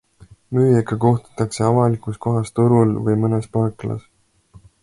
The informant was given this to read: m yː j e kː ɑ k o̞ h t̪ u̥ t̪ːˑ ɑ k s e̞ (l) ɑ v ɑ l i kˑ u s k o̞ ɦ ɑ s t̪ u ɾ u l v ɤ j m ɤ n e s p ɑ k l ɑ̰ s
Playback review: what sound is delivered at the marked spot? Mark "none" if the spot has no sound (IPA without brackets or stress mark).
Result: none